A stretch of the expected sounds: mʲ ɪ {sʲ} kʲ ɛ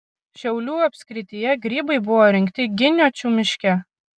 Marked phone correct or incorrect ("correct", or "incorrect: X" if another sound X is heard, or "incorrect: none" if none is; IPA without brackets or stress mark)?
incorrect: ʃʲ